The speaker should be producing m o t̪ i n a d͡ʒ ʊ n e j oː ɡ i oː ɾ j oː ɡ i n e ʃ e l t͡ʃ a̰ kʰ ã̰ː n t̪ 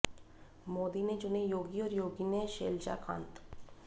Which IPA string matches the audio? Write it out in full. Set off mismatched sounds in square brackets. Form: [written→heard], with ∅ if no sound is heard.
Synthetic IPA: m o [t̪→d̪] i n [a→e] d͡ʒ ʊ n e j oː ɡ i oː ɾ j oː ɡ i n e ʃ e l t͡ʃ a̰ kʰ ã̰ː n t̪